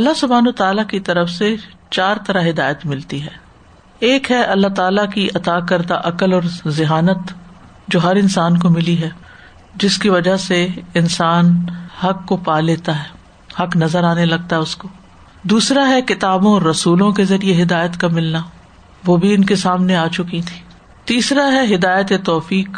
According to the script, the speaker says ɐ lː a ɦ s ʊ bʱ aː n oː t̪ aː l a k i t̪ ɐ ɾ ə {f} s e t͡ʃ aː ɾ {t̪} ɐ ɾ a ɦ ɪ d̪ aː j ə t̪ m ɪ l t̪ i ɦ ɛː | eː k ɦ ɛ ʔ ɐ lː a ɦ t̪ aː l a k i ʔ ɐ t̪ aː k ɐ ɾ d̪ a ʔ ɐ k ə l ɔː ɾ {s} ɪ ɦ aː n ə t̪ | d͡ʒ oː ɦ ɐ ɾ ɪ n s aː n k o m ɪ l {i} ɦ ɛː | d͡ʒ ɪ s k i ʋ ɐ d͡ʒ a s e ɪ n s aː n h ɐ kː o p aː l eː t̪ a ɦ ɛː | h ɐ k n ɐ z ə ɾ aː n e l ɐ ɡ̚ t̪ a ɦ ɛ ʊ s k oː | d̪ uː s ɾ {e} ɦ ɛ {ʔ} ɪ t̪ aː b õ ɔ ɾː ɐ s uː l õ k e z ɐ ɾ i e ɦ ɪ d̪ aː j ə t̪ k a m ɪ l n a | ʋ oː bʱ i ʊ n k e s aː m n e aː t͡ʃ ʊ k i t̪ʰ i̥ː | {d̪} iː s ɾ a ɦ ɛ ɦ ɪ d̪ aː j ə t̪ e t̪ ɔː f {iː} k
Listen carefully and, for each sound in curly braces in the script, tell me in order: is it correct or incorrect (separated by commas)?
correct, correct, incorrect, correct, incorrect, incorrect, incorrect, correct